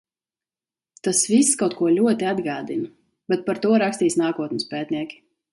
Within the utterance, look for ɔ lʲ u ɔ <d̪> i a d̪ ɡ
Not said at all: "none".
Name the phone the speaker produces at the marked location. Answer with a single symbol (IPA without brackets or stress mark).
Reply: t̪